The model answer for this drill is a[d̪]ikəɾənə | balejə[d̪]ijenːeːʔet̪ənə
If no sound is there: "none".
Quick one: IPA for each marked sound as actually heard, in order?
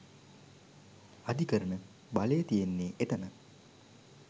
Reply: d̪, t̪

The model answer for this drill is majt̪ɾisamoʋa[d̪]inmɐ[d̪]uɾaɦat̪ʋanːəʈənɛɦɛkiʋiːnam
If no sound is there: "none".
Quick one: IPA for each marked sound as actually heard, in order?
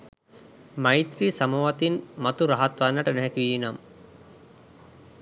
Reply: t̪, t̪

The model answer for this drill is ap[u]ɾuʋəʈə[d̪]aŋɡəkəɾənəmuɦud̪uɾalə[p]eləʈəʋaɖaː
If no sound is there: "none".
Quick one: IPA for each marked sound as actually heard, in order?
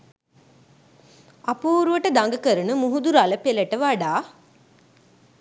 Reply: uː, d̪, p

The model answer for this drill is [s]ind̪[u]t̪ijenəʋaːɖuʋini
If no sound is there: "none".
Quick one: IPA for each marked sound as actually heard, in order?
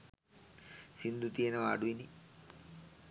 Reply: s, u

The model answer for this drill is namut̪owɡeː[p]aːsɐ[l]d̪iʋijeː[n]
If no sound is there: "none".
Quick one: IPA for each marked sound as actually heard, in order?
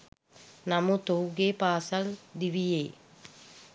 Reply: p, l, none

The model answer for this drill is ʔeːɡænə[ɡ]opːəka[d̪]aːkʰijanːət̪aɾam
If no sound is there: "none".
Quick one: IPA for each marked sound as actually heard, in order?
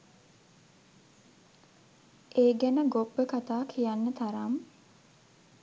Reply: ɡ, t̪

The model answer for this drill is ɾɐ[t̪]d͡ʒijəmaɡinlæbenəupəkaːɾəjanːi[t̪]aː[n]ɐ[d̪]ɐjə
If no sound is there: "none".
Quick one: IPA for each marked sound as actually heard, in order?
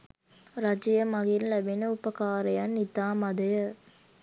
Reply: none, t̪, m, d̪

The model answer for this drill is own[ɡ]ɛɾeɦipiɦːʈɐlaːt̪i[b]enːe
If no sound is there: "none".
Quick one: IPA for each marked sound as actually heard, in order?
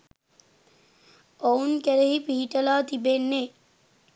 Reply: k, b

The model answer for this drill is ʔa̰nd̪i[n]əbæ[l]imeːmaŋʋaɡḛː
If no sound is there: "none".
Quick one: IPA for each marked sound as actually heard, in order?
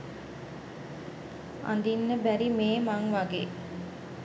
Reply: nː, ɾ

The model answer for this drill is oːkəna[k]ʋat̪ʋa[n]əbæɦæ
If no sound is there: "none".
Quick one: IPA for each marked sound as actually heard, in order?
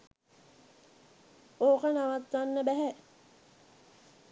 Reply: none, nː

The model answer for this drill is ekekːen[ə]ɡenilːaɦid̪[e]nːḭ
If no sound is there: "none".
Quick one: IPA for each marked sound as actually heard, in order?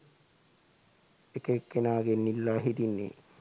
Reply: a, i

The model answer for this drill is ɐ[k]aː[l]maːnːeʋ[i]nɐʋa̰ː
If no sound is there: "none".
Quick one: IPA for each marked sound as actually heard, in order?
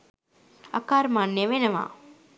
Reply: k, ɾ, e

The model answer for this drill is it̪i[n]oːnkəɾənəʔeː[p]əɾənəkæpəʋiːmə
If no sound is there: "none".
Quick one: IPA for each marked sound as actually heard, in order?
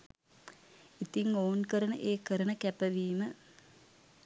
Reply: ŋ, k

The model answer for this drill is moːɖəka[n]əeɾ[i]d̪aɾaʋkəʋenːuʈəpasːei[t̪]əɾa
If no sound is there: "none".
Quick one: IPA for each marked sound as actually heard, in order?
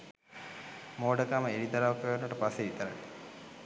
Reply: m, i, t̪

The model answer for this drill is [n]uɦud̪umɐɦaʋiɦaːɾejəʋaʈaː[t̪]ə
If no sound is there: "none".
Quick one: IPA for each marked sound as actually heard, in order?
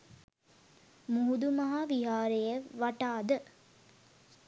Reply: m, d̪

